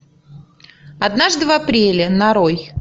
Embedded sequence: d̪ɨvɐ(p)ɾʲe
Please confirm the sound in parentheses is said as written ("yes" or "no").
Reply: yes